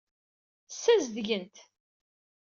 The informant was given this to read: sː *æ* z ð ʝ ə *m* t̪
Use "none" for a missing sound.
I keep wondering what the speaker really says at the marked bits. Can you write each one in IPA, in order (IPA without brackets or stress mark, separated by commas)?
æ, n